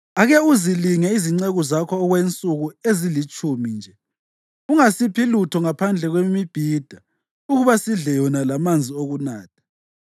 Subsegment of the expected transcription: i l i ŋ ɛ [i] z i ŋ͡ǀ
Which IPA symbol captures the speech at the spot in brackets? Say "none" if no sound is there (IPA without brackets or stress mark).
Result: i